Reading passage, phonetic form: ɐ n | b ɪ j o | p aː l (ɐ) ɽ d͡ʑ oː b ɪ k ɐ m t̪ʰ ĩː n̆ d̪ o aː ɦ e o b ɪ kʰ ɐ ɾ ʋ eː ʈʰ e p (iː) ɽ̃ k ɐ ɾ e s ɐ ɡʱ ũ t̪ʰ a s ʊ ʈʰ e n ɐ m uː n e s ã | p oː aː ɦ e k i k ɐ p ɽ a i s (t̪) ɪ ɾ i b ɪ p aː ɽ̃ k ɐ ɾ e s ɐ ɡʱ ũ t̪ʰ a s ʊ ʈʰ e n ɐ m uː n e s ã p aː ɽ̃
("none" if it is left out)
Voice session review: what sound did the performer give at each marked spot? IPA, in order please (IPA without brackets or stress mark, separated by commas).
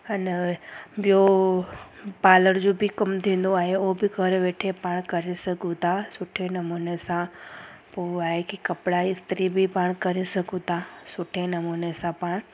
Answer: ə, aː, t̪